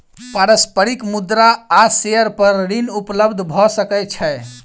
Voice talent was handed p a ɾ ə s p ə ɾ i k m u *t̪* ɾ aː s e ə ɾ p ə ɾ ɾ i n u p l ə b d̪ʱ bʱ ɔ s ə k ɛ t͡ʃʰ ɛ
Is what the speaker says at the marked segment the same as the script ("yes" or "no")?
no